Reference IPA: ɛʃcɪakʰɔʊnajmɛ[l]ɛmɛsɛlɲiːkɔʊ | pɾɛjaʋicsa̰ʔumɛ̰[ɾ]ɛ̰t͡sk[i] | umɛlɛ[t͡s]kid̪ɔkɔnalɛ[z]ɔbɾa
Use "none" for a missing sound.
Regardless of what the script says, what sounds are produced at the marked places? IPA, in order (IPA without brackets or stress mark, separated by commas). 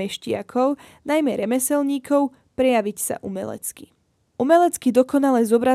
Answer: ɾ, l, i, t͡s, z